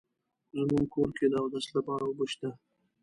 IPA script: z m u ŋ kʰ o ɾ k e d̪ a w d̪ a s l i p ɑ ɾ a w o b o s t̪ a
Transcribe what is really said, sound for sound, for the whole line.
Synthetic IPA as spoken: z m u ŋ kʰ o ɾ k e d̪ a w d̪ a s l a p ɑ ɾ a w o b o ʃ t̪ a